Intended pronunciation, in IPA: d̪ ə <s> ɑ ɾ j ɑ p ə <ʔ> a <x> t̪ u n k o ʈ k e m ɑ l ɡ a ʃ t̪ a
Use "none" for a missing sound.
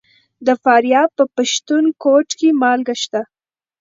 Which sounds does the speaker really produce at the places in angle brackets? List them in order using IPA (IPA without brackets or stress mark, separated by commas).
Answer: f, p, ʃ